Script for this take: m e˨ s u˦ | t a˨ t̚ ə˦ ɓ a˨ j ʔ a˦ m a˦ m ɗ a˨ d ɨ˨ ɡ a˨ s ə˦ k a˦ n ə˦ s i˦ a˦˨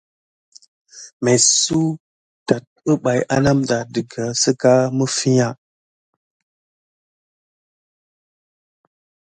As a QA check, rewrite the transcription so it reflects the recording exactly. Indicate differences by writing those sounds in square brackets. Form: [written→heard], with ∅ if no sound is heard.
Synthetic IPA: m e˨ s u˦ | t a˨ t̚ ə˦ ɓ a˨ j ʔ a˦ [m→n] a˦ m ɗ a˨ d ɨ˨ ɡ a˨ s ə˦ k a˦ [n→m] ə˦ [s→f] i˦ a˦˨